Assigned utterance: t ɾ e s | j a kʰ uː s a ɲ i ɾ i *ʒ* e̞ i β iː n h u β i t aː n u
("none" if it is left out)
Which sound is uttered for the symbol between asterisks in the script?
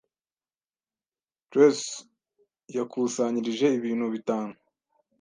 ʒ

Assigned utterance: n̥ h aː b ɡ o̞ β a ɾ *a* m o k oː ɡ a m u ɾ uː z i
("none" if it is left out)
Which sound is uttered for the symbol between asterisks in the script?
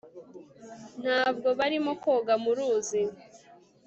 i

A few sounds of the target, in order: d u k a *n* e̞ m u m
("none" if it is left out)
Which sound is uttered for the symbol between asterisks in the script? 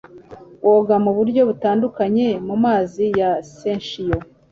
ɲ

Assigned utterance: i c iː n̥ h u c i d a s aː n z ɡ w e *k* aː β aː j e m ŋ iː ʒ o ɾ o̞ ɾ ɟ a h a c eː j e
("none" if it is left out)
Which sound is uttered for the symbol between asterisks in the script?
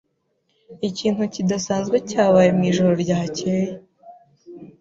c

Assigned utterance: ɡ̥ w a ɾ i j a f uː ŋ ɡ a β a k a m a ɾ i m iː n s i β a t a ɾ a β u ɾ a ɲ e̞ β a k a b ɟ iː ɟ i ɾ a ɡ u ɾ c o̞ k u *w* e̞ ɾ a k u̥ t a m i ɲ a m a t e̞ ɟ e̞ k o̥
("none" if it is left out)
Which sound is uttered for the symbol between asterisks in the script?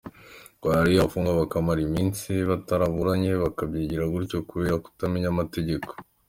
β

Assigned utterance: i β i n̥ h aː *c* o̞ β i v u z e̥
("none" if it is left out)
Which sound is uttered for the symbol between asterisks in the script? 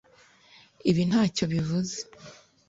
c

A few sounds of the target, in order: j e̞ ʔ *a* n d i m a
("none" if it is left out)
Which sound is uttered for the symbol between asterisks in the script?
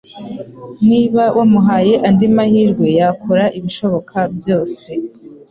a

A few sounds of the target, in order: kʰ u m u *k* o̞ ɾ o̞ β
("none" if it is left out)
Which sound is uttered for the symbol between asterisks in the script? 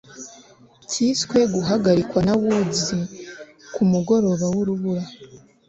ɡ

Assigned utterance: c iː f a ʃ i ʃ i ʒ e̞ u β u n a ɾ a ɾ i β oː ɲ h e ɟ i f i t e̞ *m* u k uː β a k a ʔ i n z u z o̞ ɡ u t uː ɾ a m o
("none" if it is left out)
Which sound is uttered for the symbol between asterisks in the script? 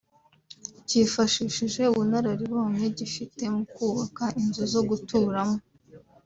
m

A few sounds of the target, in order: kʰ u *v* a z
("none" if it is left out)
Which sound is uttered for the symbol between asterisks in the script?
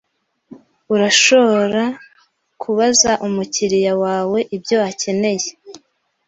β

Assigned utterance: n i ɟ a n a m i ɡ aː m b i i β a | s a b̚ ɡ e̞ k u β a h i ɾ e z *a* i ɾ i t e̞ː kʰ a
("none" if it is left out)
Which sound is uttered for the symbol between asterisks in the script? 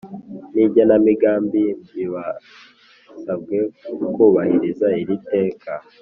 a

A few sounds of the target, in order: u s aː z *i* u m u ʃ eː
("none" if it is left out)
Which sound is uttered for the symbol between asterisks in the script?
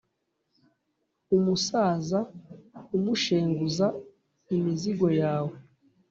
a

